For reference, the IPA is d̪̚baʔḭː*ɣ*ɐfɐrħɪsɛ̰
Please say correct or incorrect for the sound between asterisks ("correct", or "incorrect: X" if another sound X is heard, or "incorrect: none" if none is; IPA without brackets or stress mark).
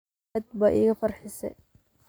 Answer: correct